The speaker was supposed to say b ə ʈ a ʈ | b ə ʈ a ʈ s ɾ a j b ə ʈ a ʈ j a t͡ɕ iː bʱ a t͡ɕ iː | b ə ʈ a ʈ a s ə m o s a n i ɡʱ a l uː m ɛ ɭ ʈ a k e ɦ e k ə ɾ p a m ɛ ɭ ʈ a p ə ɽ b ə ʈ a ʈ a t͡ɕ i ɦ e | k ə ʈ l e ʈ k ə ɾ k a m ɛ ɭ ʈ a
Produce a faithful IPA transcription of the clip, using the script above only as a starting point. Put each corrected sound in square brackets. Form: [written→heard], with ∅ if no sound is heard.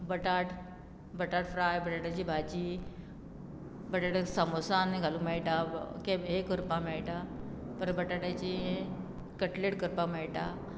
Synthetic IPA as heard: b ə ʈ a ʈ | b ə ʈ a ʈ [s→f] ɾ a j b ə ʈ a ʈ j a t͡ɕ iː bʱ a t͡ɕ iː | b ə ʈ a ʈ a s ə m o s a n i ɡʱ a l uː m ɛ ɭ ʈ a k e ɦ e k ə ɾ p a m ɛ ɭ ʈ a p ə [ɽ→ɾ] b ə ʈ a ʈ a t͡ɕ i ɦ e | k ə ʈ l e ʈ k ə ɾ [k→p] a m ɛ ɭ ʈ a